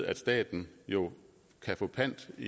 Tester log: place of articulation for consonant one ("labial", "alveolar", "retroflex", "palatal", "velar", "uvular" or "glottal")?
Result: alveolar